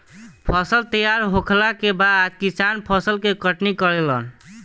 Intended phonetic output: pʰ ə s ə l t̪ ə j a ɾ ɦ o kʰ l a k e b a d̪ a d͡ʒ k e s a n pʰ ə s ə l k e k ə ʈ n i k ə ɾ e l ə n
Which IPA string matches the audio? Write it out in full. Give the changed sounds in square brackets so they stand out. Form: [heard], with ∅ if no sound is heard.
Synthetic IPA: pʰ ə s ə l t̪ ə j a ɾ ɦ o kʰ l a k e b a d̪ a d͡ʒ k [i] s a n pʰ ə s ə l k e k ə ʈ n i k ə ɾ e l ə n